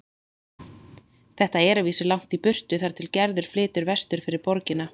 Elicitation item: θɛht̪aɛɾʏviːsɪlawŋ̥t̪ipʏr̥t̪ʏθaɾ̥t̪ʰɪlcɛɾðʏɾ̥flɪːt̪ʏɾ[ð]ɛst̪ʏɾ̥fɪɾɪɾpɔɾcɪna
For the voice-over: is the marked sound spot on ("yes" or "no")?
no